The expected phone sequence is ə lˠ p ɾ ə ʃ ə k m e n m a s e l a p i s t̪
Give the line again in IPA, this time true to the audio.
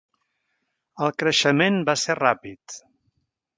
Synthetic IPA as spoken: ə lˠ k ɾ ə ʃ ə m e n b a s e r a p i t̪